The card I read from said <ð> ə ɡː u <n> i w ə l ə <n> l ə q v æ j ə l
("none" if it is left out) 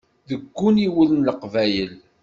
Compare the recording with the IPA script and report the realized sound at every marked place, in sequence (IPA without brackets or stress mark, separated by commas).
ð, n, n